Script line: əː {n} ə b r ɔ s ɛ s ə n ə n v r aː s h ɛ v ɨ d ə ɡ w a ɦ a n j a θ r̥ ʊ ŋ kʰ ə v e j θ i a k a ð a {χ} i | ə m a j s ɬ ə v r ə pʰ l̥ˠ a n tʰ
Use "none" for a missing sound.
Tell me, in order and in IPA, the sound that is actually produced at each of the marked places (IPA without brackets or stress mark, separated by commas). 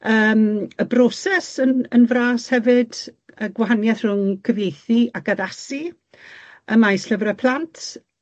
m, s